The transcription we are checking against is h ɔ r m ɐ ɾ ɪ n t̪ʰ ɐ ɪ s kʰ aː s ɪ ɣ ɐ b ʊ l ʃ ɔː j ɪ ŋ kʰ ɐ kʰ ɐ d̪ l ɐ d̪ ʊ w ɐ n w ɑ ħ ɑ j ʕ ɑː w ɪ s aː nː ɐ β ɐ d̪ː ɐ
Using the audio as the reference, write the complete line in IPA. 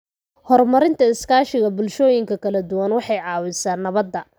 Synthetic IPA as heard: h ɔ r m ɐ ɾ ɪ n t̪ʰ ɐ ɪ s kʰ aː ʃ ɪ ɣ ɐ b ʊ l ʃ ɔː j ɪ ŋ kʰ ɐ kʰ ɐ l ɐ d̪ ʊ w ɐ n w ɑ ħ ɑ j ʕ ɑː w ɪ s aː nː ɐ β ɐ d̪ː ɐ